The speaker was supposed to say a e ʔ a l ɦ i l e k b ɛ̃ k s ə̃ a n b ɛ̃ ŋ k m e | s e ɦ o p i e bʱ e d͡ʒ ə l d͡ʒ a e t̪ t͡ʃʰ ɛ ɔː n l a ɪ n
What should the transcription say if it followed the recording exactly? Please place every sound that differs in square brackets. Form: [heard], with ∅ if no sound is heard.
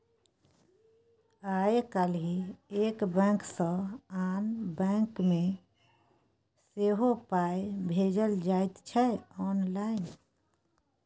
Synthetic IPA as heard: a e [k] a l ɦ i [∅] e k b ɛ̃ k s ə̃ a n b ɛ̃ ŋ k m e | s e ɦ o p [a] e bʱ e d͡ʒ ə l d͡ʒ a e t̪ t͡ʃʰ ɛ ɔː n l a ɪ n